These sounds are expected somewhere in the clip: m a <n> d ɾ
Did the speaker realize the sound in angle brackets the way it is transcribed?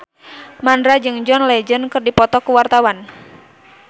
yes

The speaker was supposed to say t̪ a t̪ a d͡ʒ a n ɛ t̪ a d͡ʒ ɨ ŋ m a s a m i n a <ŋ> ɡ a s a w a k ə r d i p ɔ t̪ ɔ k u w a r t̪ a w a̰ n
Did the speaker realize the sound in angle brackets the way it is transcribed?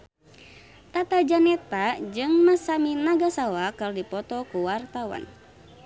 no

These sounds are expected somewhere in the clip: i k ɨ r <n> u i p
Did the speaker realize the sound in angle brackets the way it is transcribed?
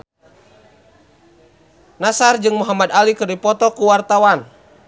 no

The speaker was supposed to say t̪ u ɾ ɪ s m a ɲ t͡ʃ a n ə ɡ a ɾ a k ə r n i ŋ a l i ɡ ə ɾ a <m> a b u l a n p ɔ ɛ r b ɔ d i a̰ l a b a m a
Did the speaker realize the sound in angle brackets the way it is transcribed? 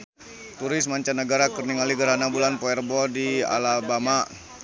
no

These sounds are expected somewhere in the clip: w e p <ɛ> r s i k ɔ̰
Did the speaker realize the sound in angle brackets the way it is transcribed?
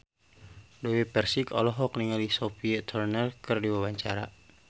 yes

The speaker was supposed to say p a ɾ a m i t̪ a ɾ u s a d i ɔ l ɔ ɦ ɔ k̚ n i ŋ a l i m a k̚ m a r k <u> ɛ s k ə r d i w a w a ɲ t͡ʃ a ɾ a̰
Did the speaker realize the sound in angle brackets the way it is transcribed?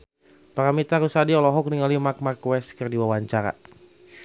no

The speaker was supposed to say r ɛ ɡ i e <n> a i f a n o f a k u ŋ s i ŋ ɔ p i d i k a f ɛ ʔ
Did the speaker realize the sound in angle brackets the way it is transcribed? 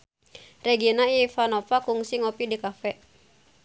yes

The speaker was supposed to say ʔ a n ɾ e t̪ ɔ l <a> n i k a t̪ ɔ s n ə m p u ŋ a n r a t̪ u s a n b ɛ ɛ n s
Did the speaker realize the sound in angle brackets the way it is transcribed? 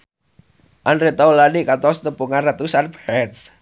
yes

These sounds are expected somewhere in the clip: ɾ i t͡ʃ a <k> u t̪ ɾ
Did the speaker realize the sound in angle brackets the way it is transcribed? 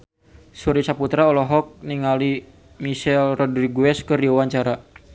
no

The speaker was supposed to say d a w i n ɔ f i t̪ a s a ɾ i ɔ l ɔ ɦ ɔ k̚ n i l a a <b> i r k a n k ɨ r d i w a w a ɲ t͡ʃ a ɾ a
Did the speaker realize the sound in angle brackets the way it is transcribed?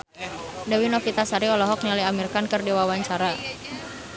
no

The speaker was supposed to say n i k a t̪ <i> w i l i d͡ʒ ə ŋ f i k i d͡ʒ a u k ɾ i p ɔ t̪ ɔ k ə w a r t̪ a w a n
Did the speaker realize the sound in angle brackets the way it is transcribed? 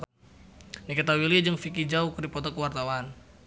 no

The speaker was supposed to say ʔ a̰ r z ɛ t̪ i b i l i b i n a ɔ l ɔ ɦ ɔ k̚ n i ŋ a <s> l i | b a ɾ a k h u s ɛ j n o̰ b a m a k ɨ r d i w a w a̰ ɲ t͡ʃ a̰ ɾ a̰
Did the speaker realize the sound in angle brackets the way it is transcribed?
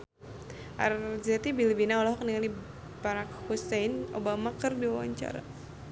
no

